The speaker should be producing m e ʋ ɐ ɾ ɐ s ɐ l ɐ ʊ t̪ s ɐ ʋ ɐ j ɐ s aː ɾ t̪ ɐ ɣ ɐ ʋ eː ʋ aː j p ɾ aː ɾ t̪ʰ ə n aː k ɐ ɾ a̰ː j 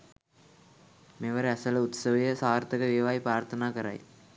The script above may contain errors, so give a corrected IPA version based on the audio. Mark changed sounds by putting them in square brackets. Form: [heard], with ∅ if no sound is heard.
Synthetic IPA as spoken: m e ʋ ɐ ɾ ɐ s ɐ l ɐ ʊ t̪ s ɐ ʋ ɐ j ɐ s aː ɾ t̪ ɐ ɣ ɐ ʋ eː ʋ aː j p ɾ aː ɾ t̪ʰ [ɐ] n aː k ɐ ɾ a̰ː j